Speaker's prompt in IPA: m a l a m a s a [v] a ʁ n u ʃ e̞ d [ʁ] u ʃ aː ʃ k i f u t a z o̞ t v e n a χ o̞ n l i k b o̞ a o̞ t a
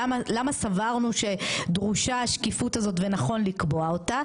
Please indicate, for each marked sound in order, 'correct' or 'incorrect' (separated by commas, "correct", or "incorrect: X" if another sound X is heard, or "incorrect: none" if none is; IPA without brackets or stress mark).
correct, correct